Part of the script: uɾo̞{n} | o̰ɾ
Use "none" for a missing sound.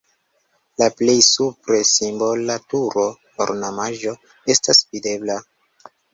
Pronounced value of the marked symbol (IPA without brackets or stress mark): none